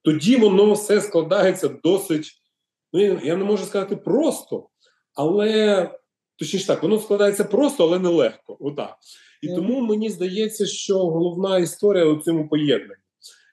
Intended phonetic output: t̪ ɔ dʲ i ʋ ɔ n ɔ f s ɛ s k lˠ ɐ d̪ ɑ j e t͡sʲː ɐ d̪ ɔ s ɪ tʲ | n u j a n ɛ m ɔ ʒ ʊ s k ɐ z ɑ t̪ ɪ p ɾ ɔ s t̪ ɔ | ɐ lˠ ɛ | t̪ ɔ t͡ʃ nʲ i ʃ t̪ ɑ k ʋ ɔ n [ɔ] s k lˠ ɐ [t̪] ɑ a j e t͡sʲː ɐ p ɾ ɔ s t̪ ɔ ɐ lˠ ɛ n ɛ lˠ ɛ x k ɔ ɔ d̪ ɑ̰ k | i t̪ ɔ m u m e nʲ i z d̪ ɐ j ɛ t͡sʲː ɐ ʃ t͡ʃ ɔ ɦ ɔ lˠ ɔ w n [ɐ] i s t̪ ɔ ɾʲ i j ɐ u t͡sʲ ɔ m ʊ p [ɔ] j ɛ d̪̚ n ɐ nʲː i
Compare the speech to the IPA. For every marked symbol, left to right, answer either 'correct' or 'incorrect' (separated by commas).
correct, incorrect, incorrect, correct